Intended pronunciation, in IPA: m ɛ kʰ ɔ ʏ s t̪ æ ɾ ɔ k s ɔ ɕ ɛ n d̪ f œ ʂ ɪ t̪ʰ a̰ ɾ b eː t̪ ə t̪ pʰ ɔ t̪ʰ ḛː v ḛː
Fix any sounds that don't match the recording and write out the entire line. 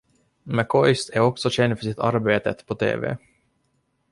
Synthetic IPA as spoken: m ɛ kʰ ɔ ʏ s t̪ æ ɾ ɔ k s ɔ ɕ ɛ n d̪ f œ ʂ ɪ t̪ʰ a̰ ɾ b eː t̪ ə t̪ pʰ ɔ t̪ʰ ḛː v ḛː